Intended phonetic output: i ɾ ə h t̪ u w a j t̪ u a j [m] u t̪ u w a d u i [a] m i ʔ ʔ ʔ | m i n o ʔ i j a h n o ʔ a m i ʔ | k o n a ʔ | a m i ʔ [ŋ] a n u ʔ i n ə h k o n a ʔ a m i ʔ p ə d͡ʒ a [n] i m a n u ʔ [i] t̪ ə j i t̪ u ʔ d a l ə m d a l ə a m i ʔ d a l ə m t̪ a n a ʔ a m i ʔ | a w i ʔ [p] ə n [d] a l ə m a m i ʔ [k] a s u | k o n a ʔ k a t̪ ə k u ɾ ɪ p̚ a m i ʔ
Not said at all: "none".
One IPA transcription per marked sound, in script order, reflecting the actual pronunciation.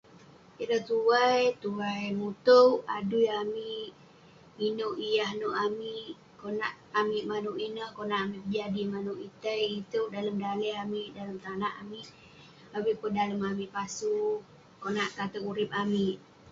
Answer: m, a, m, d, i, p, d, p

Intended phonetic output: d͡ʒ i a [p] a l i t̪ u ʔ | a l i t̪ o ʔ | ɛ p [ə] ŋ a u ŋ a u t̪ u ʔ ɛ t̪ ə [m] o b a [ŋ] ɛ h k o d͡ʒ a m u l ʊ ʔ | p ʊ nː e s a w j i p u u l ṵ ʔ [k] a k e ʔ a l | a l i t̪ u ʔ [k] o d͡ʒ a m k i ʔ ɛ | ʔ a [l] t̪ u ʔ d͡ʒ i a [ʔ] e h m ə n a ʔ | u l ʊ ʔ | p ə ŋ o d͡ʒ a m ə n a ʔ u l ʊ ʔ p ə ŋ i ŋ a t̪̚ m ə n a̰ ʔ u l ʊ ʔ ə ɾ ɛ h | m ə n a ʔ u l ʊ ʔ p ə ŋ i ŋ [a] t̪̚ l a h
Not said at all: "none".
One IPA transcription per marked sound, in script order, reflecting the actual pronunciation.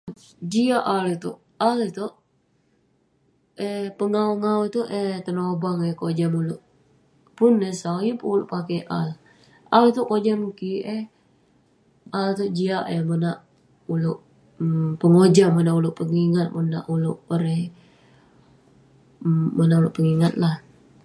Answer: ʔ, ə, n, ŋ, p, k, l, ʔ, a

